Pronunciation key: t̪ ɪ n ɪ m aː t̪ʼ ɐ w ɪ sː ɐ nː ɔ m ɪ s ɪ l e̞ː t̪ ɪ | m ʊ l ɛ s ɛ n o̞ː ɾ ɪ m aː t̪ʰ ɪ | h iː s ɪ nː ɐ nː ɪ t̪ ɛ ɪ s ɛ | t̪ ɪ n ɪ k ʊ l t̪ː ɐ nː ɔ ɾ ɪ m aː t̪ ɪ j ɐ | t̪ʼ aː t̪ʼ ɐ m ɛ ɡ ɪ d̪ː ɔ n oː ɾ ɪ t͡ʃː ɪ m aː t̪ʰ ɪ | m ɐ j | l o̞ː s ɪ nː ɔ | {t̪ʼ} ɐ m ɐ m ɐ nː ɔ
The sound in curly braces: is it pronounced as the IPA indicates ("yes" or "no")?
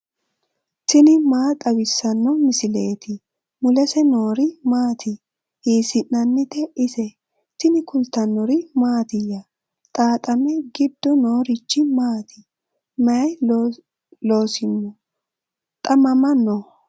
yes